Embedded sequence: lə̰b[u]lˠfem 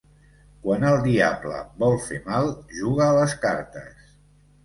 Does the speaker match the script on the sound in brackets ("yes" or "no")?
no